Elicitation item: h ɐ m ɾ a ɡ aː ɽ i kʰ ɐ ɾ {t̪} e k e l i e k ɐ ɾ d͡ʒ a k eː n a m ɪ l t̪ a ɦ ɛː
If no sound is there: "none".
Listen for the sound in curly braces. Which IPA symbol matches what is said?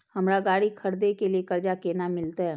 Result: d̪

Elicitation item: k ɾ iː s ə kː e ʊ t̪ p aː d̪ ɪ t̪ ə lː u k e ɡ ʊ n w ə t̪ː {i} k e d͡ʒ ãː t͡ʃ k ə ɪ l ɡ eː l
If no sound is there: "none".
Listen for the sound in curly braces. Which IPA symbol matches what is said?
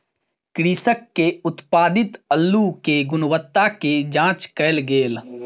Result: a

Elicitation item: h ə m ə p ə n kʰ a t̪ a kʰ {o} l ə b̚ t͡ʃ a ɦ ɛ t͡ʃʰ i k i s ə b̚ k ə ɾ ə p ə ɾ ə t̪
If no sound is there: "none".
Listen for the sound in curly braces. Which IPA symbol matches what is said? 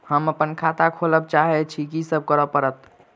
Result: o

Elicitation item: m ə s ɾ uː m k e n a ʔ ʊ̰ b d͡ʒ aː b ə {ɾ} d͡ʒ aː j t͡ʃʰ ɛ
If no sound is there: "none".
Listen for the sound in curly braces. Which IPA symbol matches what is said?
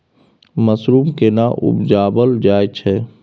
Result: l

